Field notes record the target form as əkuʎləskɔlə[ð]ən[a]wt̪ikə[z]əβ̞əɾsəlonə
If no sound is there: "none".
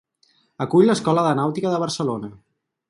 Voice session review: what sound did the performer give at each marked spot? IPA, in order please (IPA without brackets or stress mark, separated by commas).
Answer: ð, a, ð